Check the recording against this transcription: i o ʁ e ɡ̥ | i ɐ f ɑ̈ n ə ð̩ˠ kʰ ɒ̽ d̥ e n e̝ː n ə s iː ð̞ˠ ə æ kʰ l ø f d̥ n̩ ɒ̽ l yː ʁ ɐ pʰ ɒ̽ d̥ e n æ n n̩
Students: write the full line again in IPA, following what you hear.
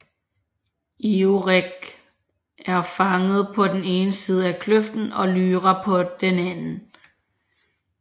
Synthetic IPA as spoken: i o ʁ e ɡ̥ | æ ɐ f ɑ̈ ŋ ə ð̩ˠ pʰ ɒ̽ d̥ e n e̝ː n ə s iː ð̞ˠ ə æ kʰ l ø f d̥ n̩ ɒ̽ l yː ʁ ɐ pʰ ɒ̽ d̥ e n æ n n̩